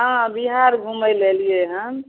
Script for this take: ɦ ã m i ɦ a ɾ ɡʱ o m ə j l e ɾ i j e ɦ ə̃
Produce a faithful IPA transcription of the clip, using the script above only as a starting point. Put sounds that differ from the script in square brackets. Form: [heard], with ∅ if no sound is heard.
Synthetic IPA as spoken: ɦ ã [b] i ɦ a ɾ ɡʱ [u] m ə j l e [l] i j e ɦ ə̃